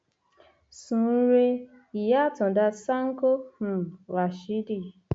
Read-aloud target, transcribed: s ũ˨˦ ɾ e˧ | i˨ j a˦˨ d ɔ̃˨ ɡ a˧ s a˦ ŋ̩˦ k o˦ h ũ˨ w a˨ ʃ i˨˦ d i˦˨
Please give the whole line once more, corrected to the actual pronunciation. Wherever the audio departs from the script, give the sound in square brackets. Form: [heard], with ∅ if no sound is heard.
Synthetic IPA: s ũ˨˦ ɾ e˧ | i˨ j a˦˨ [t] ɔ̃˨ [d] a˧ s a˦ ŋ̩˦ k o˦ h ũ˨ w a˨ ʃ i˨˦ d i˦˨